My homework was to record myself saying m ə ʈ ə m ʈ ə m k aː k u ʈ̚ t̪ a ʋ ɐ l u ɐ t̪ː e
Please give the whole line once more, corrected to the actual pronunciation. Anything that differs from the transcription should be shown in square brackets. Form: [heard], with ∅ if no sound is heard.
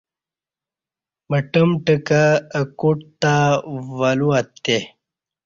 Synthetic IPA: m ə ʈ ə m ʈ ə [∅] k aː k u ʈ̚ t̪ a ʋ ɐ l u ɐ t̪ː e